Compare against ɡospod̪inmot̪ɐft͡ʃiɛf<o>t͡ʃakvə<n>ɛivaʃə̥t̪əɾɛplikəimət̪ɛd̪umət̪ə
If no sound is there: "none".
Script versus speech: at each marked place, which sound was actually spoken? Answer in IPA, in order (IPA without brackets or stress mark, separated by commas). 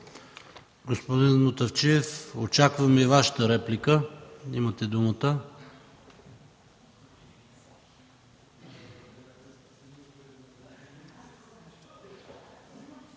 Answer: o, m